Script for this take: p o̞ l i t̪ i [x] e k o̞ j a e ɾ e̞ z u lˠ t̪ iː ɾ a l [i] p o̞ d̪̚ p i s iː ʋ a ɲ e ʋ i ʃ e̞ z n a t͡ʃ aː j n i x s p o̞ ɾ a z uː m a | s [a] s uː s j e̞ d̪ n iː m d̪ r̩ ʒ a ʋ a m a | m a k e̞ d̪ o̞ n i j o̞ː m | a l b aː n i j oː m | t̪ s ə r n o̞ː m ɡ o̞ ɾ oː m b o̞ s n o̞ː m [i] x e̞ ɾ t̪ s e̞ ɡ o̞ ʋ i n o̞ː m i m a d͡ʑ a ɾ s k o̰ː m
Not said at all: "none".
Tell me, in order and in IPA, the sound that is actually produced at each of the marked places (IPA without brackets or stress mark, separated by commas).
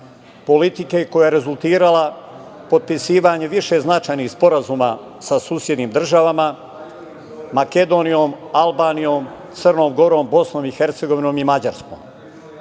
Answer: k, a, a, i